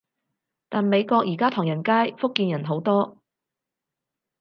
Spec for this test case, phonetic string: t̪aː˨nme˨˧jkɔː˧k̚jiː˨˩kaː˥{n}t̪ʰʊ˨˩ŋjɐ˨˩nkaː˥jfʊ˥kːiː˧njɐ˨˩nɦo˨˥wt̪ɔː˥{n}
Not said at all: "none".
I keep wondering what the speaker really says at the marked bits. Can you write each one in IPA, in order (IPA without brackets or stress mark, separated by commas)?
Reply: none, none